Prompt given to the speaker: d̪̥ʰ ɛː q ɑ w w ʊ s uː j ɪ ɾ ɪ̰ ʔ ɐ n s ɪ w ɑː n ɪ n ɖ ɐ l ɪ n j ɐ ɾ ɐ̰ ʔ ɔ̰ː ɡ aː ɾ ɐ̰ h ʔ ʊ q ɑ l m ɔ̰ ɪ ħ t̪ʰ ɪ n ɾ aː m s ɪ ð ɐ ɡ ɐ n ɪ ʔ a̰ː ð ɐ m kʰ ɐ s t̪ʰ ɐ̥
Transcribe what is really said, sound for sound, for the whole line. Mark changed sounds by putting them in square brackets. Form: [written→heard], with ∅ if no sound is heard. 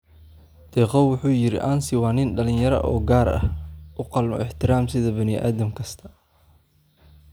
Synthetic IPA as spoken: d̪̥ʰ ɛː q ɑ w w ʊ [s→ħ] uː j ɪ ɾ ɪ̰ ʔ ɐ n s ɪ w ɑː n ɪ n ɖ ɐ l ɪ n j ɐ ɾ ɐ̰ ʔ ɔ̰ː ɡ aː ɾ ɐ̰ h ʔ ʊ q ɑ l m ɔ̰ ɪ ħ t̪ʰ ɪ [n→∅] ɾ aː m s ɪ ð ɐ [ɡ→b] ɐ n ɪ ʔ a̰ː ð ɐ m kʰ ɐ s t̪ʰ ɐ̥